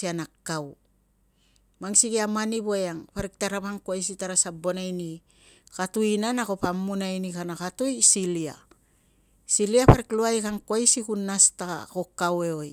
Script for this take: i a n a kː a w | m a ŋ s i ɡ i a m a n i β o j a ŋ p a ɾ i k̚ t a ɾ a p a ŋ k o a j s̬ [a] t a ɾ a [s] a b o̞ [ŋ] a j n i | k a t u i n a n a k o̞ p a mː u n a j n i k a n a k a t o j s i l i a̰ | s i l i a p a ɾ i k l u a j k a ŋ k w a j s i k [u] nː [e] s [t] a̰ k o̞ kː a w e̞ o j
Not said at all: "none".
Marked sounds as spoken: i, s, n, u, a, t

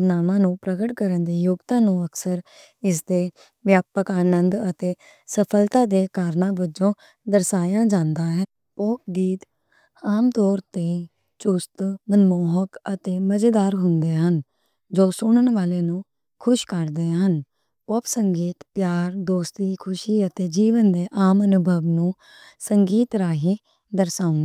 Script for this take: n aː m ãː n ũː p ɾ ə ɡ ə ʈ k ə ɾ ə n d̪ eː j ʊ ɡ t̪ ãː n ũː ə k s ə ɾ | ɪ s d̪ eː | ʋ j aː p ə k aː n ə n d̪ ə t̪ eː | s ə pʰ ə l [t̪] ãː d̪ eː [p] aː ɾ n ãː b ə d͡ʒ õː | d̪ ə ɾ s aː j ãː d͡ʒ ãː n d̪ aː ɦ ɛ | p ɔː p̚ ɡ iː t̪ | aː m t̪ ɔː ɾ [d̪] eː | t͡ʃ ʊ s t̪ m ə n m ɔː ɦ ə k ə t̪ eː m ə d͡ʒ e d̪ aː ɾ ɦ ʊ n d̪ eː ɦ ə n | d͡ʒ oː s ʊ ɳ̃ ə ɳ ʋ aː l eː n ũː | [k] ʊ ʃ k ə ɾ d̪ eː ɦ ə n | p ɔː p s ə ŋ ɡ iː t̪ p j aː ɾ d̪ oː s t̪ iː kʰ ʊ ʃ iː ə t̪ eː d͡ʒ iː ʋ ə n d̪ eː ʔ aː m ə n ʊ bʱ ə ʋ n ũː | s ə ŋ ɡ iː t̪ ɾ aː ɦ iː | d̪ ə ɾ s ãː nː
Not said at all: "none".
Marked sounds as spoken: t̪, k, t̪, kʰ

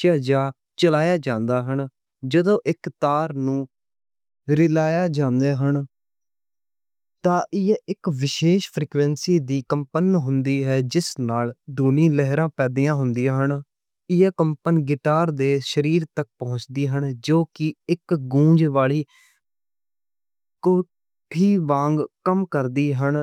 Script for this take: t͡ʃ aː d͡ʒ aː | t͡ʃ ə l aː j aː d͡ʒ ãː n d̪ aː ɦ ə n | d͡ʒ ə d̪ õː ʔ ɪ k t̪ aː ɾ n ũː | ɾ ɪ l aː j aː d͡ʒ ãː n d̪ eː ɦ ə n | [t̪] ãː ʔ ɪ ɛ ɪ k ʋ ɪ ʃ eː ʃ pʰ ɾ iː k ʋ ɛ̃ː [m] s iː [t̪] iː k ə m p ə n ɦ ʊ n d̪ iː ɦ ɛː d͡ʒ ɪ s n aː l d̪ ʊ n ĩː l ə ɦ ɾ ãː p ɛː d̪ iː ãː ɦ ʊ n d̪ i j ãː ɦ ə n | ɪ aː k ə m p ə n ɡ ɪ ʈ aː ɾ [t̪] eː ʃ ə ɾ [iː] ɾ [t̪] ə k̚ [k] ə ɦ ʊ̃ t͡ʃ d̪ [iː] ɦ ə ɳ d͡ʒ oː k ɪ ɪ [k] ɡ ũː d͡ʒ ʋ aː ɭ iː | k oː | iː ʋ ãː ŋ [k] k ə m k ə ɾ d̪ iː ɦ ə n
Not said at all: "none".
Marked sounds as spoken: t̪, n, d̪, d̪, iː, t̪, p, iː, k, ɡ

